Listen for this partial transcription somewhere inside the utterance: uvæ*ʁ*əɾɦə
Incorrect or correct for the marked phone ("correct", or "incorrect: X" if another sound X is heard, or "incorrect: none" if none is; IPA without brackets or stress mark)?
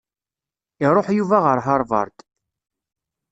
correct